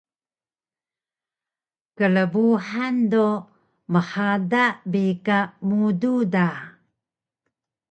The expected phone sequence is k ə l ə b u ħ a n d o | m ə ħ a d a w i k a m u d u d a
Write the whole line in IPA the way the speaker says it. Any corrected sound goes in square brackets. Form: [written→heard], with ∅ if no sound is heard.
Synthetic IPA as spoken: k ə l ə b u ħ a n d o | m ə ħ a d a [w→b] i k a m u d u d a